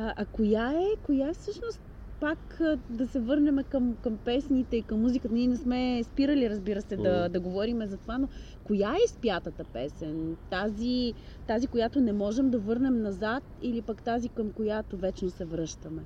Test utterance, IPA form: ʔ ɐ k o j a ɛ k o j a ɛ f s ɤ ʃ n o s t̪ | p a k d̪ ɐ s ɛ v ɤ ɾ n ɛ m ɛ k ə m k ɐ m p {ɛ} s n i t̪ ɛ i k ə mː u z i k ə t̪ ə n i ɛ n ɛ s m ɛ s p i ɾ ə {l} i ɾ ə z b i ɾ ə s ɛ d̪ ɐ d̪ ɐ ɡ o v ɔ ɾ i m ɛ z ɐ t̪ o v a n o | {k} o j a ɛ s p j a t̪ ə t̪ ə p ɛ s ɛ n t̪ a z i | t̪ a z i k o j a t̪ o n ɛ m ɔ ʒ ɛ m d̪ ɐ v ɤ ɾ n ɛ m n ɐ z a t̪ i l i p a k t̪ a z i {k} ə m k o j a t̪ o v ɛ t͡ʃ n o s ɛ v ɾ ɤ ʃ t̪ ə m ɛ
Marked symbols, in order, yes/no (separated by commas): yes, yes, yes, yes